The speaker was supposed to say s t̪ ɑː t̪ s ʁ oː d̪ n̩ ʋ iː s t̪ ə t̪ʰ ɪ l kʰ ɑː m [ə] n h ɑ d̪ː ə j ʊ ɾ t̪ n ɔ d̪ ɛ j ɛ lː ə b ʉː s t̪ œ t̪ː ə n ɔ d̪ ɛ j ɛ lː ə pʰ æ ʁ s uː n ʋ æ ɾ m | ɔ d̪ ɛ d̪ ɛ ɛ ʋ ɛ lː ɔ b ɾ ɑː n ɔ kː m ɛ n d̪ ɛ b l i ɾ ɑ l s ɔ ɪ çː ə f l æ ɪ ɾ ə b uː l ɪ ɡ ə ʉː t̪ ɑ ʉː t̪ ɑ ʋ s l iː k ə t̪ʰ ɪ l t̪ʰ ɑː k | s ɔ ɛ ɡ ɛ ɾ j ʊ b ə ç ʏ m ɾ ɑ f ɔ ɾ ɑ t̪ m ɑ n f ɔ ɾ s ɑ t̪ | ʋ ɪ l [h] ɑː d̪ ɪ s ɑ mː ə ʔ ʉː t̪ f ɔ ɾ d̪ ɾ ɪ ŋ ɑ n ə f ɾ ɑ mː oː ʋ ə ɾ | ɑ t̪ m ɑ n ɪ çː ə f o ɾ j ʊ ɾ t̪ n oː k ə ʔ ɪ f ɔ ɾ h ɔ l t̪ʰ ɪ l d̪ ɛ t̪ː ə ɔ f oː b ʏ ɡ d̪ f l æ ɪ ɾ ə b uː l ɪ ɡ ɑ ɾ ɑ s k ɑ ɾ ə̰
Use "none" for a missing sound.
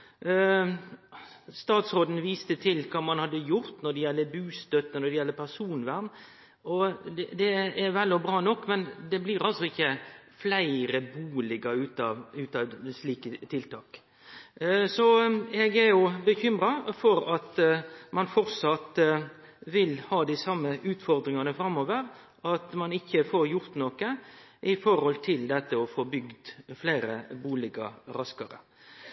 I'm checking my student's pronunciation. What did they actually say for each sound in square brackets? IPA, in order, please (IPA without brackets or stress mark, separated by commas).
ɑ, h